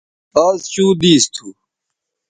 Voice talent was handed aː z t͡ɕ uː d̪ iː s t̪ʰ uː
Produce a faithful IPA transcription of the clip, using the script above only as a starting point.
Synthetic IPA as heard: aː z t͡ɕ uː d̪ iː s t̪ʰ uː